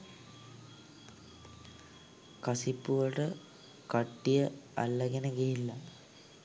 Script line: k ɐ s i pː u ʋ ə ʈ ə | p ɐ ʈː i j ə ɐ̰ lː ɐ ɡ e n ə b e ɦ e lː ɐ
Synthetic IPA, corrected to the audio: k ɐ s i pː u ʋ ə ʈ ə | k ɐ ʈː i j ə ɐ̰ lː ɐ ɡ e n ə ɡ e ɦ i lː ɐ